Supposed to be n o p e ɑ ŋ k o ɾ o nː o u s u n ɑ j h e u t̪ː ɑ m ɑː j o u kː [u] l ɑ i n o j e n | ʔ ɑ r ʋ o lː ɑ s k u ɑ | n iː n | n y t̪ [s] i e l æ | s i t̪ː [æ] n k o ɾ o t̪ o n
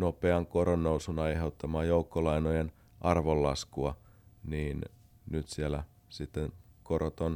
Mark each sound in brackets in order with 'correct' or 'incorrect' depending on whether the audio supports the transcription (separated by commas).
incorrect, correct, incorrect